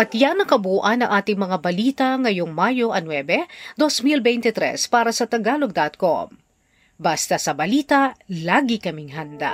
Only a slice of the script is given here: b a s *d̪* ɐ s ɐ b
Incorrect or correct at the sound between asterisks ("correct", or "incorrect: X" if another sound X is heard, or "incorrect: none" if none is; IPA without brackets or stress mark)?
incorrect: t̪